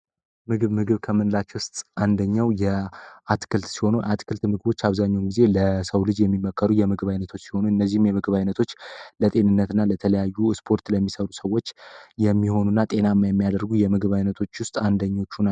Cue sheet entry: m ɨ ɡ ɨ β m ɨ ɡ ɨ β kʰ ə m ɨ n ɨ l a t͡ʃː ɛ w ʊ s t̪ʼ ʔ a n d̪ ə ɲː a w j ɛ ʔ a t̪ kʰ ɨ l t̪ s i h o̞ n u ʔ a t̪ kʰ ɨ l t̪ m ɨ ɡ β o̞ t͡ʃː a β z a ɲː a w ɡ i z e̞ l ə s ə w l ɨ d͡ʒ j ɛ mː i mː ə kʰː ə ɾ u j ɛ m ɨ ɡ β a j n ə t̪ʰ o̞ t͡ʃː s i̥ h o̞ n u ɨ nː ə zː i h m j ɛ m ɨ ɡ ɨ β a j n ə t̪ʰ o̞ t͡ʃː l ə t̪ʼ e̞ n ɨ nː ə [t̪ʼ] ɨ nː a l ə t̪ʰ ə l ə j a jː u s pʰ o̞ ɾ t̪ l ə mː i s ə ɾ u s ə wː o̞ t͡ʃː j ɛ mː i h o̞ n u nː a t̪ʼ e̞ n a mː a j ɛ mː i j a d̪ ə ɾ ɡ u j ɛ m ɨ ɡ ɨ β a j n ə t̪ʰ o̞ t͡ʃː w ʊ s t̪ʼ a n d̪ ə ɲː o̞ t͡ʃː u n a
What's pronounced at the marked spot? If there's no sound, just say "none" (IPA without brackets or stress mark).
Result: t̪